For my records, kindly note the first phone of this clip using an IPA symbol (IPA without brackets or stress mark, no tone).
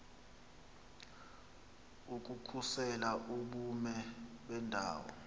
u